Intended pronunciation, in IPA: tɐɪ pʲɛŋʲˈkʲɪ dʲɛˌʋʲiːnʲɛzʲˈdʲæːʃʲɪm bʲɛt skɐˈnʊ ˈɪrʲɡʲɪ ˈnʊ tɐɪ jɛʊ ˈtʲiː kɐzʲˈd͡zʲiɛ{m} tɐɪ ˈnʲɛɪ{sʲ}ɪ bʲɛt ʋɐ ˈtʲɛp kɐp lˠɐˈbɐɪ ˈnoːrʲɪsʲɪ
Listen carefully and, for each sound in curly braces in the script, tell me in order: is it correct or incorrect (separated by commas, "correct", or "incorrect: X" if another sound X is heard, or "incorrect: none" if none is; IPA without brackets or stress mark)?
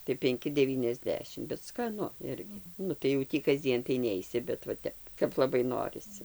incorrect: n, correct